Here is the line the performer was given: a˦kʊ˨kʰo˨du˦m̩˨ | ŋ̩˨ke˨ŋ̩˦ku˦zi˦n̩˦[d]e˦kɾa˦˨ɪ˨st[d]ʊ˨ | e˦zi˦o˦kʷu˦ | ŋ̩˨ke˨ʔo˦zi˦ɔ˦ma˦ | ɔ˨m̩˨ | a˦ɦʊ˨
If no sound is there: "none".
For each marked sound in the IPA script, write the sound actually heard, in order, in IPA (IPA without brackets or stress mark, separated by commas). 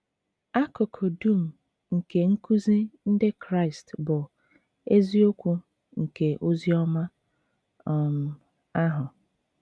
d, b